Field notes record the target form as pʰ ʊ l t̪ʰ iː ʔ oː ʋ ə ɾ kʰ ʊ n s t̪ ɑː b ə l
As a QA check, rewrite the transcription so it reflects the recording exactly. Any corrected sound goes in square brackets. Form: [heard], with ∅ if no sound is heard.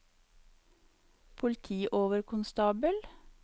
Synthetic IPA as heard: pʰ ʊ l t̪ʰ iː ʔ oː ʋ ə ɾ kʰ ʊ n s t̪ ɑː b ə l